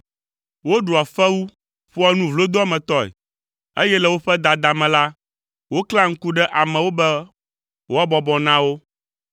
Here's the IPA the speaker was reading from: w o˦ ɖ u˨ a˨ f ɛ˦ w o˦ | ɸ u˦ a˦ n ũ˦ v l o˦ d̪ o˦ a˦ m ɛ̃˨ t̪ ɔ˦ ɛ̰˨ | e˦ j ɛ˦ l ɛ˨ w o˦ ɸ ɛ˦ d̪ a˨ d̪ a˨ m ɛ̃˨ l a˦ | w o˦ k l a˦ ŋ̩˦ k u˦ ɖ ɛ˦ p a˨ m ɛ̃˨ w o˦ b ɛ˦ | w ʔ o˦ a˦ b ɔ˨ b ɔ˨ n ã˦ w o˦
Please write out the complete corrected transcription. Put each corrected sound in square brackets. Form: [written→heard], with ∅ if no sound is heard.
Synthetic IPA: w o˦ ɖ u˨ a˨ f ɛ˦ w [o˦→u˦] | ɸ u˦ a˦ n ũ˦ v l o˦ d̪ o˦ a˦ m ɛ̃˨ t̪ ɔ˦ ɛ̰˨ | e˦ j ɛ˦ l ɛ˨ w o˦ ɸ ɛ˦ d̪ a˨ d̪ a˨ m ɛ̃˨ l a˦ | w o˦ k l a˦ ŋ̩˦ k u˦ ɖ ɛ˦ [p→ʔ] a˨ m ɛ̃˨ w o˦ b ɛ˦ | w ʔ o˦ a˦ b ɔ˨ b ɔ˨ n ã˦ w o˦